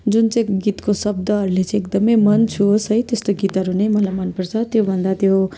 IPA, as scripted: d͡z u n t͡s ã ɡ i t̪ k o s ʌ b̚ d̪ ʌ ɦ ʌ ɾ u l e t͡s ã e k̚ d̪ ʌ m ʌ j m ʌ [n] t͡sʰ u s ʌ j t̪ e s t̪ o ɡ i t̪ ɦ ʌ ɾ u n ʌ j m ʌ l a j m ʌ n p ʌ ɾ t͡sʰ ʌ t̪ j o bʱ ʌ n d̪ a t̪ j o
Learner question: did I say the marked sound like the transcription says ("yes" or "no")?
yes